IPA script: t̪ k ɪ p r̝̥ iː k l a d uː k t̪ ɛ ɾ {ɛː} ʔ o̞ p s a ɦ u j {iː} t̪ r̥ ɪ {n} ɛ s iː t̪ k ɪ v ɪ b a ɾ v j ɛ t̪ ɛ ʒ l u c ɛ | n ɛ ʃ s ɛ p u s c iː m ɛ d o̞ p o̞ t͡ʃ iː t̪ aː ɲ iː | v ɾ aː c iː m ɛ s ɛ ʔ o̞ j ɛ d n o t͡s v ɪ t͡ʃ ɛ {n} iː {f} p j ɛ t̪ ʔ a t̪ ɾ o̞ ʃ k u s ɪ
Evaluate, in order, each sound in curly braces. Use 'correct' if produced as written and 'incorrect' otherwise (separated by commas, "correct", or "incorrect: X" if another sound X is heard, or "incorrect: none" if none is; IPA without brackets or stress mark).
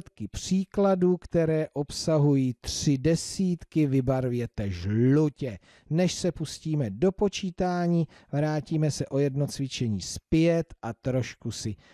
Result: correct, correct, incorrect: d, incorrect: ɲ, incorrect: s